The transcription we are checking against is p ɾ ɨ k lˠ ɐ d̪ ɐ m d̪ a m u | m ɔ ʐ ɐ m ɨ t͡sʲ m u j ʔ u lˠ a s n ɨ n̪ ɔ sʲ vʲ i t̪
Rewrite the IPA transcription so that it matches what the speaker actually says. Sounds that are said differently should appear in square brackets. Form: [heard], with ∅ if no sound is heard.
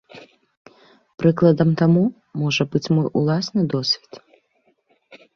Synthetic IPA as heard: p ɾ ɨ k lˠ ɐ d̪ ɐ m [t̪] a m u | m ɔ ʐ ɐ [b] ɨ t͡sʲ m [ɔ] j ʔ u lˠ a s n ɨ [d̪] ɔ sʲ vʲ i t̪